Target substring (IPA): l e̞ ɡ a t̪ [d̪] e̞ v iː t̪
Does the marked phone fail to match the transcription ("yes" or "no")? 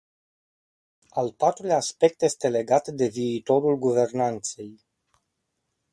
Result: no